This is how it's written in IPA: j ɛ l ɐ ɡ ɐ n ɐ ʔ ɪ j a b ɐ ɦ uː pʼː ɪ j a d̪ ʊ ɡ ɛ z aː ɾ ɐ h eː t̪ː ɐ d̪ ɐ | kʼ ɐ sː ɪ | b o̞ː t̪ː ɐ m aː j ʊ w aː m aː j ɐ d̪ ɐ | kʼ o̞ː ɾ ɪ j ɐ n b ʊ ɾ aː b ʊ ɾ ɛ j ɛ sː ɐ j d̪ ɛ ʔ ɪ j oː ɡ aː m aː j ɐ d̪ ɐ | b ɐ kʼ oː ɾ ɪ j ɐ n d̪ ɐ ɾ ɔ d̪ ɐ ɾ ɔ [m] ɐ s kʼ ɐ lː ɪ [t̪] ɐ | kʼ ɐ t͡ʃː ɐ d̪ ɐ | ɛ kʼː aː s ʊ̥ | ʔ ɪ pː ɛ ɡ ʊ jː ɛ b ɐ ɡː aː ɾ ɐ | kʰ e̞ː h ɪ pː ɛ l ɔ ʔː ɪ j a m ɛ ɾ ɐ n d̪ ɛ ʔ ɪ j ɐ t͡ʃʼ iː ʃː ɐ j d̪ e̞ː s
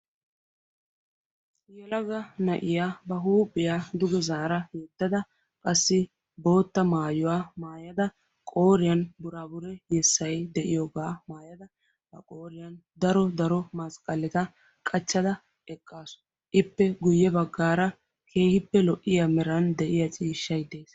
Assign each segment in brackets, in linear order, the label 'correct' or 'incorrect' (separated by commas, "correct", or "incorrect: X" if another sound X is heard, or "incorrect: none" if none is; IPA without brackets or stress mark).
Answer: correct, correct